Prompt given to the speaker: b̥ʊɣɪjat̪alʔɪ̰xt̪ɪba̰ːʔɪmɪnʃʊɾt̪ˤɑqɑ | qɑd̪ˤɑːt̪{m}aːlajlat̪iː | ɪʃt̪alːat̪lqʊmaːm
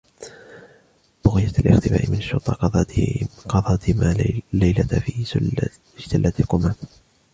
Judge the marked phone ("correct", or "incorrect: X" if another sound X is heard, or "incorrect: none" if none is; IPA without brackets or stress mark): correct